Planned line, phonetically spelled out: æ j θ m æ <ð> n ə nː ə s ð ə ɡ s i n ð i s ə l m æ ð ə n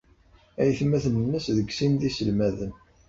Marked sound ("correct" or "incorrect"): incorrect